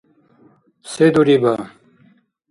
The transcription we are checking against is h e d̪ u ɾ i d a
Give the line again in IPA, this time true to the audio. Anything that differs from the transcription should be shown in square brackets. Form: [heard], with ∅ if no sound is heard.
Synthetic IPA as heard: [s] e d̪ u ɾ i [b] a